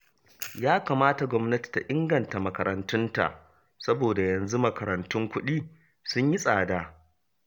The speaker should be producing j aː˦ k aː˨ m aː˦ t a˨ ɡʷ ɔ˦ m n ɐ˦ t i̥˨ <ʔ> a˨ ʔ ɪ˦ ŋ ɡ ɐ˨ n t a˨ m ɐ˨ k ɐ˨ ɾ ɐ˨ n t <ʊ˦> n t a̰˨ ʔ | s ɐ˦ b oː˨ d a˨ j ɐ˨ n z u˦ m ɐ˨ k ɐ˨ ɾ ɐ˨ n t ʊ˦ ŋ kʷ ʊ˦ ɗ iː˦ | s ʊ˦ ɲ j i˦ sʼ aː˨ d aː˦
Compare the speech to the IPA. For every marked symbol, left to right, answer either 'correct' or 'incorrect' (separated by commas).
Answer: incorrect, correct